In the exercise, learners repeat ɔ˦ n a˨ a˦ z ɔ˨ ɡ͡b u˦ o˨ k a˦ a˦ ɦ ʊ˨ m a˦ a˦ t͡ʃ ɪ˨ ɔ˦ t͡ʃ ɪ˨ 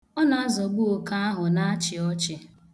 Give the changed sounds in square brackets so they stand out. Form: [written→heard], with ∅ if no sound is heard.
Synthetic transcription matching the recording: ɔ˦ n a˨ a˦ z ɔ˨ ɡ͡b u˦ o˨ k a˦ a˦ ɦ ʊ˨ [m→n] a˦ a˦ t͡ʃ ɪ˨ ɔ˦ t͡ʃ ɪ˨